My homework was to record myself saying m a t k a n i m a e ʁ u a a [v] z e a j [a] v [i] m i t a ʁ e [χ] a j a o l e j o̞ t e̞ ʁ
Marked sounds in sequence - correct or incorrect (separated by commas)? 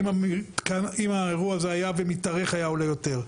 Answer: incorrect, correct, incorrect, correct